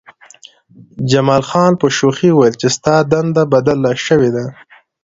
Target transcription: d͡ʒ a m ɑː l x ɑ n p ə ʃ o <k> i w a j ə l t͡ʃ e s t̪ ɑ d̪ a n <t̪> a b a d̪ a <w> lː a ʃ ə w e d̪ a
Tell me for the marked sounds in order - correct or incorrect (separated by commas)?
incorrect, incorrect, incorrect